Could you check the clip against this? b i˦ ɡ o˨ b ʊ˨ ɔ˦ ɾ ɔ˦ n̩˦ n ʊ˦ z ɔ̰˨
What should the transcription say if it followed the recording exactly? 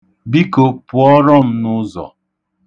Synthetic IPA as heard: b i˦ k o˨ p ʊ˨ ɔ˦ ɾ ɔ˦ m̩˦ n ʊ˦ z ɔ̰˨